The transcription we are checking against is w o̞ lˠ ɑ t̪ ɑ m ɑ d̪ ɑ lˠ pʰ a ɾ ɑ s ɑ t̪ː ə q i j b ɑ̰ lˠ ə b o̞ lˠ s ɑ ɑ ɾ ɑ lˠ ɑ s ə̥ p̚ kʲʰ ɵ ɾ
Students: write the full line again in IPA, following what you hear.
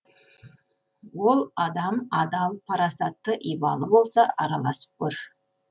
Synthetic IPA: w o̞ lˠ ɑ d̪ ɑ m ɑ d̪ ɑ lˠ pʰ ɑ ɾ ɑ s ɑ t̪ː ə ʔ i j b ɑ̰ lˠ ə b o̞ lˠ s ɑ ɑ ɾ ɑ lˠ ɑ s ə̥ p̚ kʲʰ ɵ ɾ